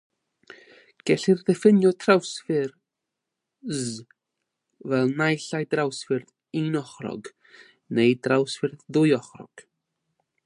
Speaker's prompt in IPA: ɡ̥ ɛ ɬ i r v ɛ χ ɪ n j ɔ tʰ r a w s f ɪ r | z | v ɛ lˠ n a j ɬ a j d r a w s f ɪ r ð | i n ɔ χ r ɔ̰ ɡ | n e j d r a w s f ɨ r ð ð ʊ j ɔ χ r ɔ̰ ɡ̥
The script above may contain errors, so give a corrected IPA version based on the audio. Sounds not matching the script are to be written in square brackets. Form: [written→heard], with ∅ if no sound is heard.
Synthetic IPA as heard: ɡ̥ ɛ ɬ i r [v→ð] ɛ [χ→f] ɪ n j ɔ tʰ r a w s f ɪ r | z | v ɛ lˠ n a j ɬ a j d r a w s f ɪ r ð | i n ɔ χ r ɔ̰ ɡ | n e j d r a w s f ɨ r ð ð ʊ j ɔ χ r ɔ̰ ɡ̥